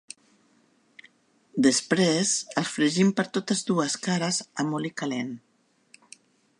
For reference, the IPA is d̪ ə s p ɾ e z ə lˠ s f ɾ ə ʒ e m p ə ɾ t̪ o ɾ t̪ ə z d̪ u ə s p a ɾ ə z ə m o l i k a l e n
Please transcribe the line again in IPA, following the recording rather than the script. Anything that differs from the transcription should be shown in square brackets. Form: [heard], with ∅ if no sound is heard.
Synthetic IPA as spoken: d̪ ə s p ɾ e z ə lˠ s f ɾ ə ʒ [i] m p ə ɾ t̪ o [∅] t̪ ə z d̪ u ə s [k] a ɾ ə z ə m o l i k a l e n